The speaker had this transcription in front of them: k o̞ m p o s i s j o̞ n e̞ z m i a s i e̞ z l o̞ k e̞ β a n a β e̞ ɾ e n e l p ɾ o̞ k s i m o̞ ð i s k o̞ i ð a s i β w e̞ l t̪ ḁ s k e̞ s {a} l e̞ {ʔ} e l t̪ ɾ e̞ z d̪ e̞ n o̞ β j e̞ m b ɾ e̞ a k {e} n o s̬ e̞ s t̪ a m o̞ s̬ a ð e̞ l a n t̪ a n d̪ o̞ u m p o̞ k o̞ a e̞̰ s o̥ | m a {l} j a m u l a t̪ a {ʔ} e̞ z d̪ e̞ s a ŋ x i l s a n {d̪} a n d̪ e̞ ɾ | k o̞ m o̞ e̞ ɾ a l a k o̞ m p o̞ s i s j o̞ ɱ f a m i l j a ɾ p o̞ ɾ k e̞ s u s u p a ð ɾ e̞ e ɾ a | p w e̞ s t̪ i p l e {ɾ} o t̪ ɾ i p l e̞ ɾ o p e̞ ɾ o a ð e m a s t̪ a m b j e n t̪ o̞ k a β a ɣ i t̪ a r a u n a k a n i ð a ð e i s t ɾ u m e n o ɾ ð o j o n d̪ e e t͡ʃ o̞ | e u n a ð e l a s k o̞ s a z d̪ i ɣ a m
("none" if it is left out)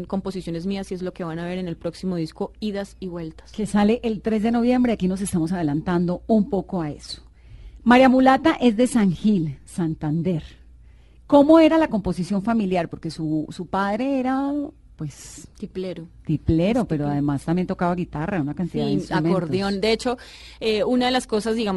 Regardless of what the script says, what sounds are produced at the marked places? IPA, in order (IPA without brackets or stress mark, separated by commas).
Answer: a, ʔ, i, ɾ, ʔ, t̪, ɾ